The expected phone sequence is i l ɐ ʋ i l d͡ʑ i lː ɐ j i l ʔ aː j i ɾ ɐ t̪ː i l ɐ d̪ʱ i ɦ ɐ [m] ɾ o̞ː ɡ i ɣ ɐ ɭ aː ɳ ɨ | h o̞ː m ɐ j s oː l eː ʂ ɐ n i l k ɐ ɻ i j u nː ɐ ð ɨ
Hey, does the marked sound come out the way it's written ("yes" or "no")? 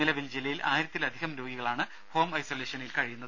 yes